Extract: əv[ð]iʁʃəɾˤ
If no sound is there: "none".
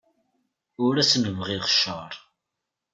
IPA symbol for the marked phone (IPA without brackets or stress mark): ʁ